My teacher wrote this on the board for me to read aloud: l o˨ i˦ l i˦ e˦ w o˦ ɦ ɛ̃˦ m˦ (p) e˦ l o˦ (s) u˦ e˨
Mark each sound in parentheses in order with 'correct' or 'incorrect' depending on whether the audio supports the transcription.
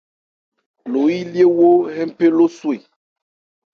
correct, correct

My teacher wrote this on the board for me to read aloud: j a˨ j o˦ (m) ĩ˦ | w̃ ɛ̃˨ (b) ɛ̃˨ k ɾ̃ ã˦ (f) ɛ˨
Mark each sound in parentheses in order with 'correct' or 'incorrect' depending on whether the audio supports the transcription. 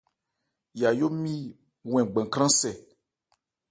correct, incorrect, incorrect

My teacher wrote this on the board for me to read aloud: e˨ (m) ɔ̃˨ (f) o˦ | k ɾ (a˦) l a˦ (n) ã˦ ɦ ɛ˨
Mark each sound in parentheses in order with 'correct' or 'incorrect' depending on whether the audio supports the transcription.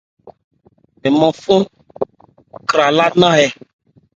correct, correct, incorrect, correct

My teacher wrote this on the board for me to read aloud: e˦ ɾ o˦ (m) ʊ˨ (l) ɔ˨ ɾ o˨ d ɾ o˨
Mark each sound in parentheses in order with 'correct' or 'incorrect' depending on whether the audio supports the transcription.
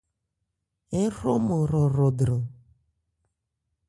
correct, incorrect

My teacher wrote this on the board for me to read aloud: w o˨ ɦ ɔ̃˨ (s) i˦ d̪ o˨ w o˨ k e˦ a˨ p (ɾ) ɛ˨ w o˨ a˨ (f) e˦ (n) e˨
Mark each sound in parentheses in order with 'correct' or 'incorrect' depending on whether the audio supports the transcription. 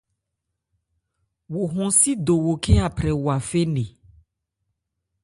correct, correct, correct, correct

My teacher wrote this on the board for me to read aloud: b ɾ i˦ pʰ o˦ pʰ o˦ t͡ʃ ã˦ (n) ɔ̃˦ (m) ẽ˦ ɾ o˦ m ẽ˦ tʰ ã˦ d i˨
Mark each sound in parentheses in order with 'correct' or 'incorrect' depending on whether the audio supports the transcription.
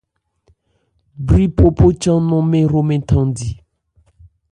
correct, correct

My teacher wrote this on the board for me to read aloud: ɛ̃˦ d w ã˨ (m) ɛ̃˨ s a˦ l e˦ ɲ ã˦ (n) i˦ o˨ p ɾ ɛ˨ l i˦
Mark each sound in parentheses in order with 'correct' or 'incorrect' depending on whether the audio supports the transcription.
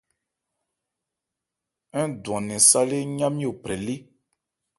incorrect, incorrect

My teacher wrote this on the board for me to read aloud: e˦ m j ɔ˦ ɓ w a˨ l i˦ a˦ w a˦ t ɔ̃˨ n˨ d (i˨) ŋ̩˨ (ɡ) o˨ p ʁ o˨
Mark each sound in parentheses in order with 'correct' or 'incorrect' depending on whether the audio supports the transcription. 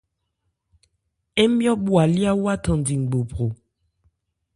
correct, incorrect

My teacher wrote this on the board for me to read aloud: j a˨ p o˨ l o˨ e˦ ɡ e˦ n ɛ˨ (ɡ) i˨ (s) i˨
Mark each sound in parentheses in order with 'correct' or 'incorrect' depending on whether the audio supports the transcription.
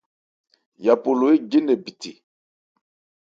incorrect, incorrect

